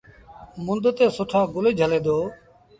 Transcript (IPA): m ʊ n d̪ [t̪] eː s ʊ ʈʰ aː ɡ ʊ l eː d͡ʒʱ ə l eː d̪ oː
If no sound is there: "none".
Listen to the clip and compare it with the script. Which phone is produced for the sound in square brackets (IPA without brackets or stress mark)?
t̪